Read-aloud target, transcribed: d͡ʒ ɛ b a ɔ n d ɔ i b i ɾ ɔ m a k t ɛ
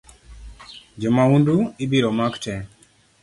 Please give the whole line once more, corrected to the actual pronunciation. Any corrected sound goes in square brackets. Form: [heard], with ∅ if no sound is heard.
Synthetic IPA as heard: d͡ʒ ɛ [m] a [u] n d [u] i b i ɾ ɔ m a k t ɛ